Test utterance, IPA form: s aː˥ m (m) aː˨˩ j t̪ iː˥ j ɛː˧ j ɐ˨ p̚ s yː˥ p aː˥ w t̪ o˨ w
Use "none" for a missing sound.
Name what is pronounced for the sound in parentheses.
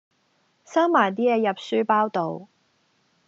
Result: m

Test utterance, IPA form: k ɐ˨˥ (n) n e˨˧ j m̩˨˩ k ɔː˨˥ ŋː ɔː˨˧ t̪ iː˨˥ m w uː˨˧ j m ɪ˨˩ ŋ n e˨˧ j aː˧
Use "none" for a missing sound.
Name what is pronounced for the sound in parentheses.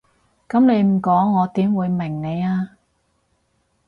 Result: m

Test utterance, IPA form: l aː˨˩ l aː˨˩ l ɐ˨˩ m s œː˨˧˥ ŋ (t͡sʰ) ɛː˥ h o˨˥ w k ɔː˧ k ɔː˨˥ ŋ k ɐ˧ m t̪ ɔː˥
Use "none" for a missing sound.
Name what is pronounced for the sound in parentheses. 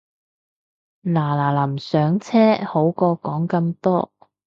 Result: t͡sʰ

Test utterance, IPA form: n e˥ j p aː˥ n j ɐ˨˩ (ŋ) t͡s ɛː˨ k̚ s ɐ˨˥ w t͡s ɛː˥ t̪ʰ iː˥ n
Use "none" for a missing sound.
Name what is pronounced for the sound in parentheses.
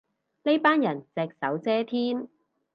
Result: n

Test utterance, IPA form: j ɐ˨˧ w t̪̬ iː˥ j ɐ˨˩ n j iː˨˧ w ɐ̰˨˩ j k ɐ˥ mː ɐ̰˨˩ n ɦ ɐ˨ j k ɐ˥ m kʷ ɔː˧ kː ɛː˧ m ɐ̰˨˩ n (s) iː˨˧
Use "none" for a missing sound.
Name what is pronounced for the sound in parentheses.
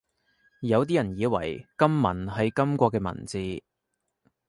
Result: t͡s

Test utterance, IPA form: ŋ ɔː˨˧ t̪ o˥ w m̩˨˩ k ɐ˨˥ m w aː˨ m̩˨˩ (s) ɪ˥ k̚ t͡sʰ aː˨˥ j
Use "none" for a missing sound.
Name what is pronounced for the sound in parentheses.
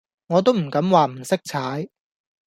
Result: s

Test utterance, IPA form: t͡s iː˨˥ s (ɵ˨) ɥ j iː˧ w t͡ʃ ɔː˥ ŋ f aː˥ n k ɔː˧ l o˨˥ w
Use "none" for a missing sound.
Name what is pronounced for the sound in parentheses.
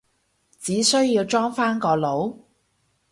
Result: ɵ˥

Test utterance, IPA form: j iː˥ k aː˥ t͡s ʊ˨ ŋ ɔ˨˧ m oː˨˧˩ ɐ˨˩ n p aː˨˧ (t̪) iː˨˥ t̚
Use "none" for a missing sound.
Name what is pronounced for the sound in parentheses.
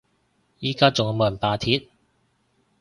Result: t̪ʰ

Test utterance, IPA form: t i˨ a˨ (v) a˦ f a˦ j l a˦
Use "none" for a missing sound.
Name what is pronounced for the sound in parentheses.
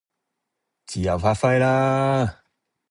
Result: v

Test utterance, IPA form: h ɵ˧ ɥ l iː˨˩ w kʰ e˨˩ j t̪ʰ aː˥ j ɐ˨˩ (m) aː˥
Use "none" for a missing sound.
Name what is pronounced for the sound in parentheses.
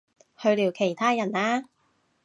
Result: n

